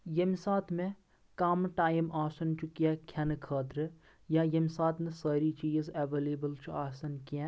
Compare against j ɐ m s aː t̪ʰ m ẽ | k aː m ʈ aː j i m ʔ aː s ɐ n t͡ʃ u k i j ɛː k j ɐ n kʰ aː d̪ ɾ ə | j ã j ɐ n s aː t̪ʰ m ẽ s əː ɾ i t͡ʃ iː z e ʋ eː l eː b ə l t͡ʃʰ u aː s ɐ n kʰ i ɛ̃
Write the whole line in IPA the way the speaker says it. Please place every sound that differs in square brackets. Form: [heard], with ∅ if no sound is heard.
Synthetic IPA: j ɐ m s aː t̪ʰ m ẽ | k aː m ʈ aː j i m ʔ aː s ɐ n t͡ʃ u k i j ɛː [kʰ] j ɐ n kʰ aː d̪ ɾ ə | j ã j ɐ [m] s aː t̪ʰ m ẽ s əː ɾ i t͡ʃ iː z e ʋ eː l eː b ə l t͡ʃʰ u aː s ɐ n [k] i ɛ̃

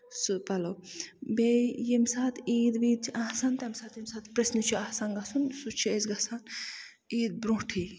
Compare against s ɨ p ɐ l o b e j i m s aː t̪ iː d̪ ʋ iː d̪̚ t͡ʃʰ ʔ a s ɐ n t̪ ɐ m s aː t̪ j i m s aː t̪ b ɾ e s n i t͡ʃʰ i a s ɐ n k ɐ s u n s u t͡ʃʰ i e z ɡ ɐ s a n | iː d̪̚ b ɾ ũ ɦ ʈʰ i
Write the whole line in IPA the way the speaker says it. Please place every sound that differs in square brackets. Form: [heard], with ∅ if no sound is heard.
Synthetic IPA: s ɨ p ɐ l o b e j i m s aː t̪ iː d̪ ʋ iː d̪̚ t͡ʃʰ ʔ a s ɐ n t̪ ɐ m s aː t̪ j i m s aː t̪ [p] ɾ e s n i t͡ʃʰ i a s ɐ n [ɡ] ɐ s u n s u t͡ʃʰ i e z ɡ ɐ s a n | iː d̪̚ b ɾ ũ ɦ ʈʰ i

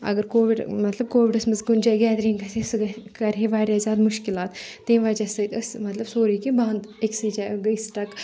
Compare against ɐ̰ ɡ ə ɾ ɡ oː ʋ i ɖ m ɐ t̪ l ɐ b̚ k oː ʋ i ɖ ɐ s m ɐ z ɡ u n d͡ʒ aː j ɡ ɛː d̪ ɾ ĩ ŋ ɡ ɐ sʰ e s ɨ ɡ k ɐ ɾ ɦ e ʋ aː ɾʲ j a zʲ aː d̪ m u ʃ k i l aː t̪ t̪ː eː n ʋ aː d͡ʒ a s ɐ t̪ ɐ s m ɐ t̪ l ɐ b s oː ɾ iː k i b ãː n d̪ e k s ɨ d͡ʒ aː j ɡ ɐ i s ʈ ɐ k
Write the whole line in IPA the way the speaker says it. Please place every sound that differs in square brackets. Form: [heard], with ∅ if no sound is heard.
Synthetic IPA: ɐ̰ ɡ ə ɾ [k] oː ʋ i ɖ m ɐ t̪ l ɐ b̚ k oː ʋ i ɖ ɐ s m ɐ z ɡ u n d͡ʒ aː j ɡ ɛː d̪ ɾ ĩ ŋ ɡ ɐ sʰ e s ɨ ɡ k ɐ ɾ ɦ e ʋ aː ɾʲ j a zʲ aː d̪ m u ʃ k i l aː t̪ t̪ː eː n ʋ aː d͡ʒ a s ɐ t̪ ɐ s m ɐ t̪ l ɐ b s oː ɾ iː k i b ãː n d̪ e k s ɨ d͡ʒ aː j ɡ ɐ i s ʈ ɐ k

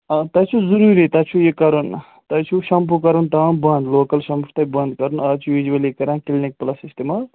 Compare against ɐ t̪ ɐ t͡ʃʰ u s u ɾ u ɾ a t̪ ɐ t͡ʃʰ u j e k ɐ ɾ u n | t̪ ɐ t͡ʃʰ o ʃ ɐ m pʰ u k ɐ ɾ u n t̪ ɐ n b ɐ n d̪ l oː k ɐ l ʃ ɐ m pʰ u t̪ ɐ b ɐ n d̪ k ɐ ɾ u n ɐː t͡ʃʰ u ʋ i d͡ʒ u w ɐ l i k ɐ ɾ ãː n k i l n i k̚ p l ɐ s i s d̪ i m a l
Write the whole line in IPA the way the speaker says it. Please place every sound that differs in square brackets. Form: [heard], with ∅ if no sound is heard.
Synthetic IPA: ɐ t̪ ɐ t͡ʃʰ u [z] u ɾ u ɾ [i] t̪ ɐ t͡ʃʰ u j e k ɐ ɾ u n | t̪ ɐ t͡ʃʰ [u] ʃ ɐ m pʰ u k ɐ ɾ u n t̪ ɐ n b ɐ n d̪ l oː k ɐ l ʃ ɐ m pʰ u t̪ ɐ b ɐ n d̪ k ɐ ɾ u n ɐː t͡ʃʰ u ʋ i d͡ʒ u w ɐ l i k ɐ ɾ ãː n k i l n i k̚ p l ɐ s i s [t̪] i m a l

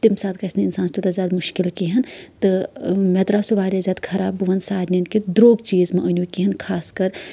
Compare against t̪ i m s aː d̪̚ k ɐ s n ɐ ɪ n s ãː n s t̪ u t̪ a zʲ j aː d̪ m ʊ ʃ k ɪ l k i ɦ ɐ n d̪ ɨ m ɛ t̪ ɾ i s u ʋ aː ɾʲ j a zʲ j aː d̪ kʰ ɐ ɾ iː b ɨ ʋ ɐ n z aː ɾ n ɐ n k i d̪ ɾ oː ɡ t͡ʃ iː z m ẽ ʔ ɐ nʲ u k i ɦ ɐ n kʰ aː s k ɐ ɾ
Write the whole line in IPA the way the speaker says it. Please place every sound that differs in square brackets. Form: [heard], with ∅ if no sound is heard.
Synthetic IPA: t̪ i m s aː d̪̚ k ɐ s n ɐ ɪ n s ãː n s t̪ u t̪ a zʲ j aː d̪ m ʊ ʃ k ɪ l k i ɦ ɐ n [t̪] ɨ m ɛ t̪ ɾ [a] s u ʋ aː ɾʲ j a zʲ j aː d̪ kʰ ɐ ɾ [aː] b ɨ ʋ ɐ n [s] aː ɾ n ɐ n k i d̪ ɾ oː ɡ t͡ʃ iː z m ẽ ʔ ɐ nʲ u k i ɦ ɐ n kʰ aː s k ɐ ɾ

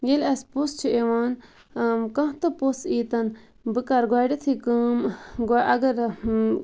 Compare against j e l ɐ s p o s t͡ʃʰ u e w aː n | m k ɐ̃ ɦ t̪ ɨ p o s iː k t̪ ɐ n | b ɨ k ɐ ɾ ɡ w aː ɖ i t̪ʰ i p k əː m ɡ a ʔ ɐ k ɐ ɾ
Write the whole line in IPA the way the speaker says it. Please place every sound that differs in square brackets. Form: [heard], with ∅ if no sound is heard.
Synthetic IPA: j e l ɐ s p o s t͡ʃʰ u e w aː n | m k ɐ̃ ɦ t̪ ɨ p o s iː [∅] t̪ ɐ n | b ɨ k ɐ ɾ ɡ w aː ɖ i t̪ʰ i [∅] k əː m ɡ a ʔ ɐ [ɡ] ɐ ɾ

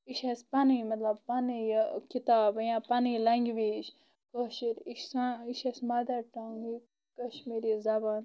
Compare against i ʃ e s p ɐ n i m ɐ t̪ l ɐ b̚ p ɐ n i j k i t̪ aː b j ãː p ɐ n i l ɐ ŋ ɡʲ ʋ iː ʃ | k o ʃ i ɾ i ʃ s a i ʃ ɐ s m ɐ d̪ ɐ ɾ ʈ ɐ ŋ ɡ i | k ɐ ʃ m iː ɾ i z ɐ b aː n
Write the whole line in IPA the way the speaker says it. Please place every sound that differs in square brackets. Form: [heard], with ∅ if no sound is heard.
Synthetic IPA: i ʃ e s p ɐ n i m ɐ t̪ l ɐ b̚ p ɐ n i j k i t̪ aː b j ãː p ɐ n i l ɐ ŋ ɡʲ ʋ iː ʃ | k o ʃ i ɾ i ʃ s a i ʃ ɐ s m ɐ d̪ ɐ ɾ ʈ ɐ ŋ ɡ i | k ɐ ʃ m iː ɾ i z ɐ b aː n

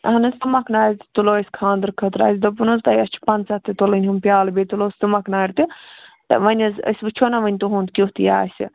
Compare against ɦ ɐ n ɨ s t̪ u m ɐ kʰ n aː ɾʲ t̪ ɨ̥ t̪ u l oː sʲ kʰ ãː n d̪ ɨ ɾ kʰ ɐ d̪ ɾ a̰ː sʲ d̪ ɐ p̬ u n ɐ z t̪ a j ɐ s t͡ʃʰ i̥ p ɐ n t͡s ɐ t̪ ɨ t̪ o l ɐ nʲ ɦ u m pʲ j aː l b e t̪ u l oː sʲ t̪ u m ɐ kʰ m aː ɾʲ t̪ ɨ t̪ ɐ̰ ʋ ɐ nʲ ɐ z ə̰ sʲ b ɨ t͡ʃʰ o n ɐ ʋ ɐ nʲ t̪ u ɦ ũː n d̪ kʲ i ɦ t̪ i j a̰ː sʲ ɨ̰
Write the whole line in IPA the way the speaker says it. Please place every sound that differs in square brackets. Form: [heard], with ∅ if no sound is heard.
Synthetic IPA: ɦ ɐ n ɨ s t̪ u m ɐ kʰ n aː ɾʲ t̪ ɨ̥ t̪ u l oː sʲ kʰ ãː n d̪ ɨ ɾ kʰ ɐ [t̪] ɾ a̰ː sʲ d̪ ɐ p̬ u n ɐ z t̪ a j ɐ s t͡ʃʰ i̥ p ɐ n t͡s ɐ t̪ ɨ t̪ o l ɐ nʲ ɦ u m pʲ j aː l b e t̪ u l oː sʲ t̪ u m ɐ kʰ [n] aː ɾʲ t̪ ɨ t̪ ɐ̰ ʋ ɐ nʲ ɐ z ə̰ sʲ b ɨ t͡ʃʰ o n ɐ ʋ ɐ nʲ t̪ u ɦ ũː n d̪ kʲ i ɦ t̪ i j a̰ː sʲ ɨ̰

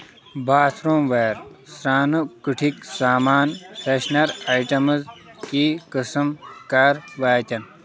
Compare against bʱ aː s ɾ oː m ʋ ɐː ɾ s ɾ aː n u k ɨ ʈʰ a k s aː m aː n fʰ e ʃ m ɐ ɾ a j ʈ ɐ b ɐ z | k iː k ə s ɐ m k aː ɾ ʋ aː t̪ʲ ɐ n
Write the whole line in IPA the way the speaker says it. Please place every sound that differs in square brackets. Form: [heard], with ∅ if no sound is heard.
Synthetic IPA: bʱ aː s ɾ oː m ʋ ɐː ɾ s ɾ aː n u k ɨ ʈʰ [i] k s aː m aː n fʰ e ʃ [n] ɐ ɾ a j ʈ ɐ [m] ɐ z | k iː k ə s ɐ m k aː ɾ ʋ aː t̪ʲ ɐ n

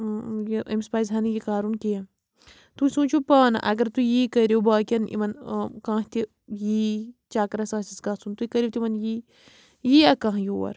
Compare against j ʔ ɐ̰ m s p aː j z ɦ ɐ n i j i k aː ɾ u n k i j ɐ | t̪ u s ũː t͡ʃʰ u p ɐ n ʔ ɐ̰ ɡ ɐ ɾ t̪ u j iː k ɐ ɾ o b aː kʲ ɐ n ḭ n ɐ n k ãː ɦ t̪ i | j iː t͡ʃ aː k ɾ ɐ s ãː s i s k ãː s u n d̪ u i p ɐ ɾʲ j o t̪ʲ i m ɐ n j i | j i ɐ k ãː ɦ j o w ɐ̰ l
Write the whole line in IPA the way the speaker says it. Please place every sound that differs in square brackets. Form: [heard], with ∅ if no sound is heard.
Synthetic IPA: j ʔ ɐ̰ m s p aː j z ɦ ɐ n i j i k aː ɾ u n k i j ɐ | t̪ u s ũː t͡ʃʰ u p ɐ n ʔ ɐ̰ ɡ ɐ ɾ t̪ u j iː k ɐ ɾ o b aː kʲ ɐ n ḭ [m] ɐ n k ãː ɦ t̪ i | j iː t͡ʃ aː k ɾ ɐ s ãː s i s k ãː s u n [t̪] u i [k] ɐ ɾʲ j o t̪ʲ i m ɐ n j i | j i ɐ k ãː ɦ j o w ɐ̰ [ɾ]

